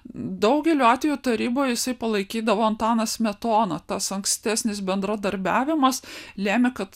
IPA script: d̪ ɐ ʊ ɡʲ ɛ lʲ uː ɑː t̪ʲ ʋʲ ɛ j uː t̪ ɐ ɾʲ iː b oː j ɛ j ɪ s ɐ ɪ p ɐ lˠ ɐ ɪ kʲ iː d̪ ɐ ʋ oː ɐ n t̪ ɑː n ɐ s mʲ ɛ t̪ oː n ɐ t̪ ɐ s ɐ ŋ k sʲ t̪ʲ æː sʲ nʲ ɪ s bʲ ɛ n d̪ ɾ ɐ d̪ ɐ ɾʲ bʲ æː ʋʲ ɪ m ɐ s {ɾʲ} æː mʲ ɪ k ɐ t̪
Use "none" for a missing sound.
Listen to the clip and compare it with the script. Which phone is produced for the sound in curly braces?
lʲ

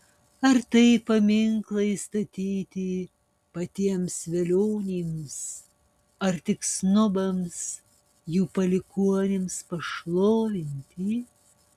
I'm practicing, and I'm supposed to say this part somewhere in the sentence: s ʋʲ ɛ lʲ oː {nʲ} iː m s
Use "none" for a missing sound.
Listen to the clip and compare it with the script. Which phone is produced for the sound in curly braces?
nʲ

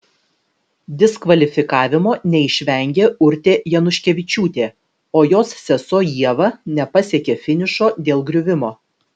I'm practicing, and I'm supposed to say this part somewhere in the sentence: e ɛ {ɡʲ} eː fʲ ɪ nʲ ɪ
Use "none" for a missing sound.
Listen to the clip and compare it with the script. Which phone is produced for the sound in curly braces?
kʲ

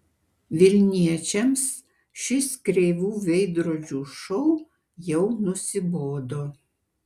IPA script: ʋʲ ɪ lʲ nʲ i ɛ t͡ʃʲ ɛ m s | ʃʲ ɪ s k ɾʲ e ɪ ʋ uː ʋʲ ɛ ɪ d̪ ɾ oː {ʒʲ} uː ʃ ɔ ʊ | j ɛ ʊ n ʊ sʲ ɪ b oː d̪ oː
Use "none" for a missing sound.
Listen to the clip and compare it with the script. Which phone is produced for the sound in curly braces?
d͡ʒʲ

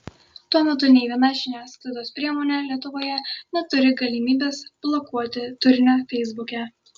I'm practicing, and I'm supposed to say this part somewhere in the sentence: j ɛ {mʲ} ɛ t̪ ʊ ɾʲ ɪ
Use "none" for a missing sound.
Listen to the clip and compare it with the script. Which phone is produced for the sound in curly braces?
nʲ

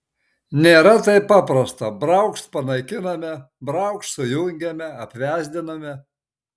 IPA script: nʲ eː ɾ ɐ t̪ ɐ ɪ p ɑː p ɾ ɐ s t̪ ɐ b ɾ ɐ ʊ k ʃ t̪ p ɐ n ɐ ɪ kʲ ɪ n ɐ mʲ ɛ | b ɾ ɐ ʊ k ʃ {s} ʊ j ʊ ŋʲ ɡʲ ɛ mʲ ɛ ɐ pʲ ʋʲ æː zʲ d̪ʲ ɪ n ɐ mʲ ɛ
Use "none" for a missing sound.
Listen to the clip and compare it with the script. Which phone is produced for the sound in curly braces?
s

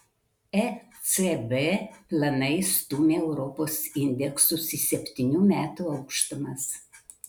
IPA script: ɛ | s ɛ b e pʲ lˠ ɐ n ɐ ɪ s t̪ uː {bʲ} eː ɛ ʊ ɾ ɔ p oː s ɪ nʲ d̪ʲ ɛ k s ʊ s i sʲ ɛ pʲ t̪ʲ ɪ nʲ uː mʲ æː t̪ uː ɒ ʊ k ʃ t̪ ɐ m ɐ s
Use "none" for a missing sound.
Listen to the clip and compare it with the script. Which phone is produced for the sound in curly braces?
mʲ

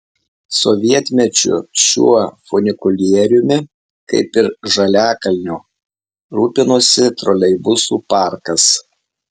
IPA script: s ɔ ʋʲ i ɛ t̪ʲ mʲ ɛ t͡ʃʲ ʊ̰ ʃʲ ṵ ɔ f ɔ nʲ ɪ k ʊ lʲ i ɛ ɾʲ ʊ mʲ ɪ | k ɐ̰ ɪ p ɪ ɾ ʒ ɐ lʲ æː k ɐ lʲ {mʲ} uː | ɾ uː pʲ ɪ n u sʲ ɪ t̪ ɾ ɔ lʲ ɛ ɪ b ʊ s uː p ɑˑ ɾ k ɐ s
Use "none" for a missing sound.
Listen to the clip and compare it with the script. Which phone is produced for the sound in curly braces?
nʲ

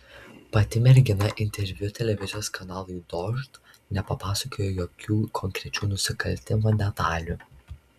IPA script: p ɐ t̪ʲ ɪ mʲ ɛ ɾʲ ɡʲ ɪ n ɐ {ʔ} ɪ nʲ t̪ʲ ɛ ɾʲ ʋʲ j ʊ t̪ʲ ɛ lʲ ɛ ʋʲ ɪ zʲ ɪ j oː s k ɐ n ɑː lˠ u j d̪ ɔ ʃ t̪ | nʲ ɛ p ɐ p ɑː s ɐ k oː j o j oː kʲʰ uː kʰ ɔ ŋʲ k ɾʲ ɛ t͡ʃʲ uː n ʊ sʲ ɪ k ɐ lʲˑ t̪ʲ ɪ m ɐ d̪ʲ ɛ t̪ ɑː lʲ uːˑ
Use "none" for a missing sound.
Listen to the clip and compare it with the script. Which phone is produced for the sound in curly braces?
ʔ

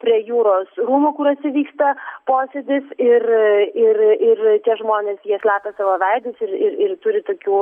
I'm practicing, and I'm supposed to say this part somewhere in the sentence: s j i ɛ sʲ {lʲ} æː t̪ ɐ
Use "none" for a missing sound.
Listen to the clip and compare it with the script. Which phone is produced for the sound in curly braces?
lʲ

